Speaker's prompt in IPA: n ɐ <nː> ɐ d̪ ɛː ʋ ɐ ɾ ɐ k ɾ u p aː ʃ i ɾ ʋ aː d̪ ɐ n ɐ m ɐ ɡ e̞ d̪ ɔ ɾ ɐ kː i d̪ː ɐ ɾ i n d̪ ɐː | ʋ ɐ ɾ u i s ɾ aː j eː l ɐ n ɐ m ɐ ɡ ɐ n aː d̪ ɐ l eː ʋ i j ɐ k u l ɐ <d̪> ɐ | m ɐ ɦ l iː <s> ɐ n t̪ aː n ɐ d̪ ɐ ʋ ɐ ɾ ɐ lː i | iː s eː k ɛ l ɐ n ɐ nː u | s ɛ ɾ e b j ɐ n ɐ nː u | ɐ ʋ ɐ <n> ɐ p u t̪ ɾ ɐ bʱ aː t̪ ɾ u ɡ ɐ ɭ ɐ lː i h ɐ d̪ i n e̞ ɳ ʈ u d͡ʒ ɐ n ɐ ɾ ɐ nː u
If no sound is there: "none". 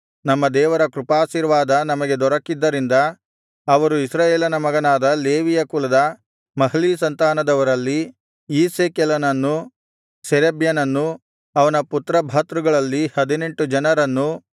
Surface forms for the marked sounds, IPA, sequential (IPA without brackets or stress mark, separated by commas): mː, d̪, s, n